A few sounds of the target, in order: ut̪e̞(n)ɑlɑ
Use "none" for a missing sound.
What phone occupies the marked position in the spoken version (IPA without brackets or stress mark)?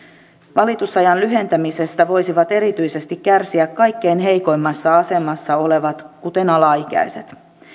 n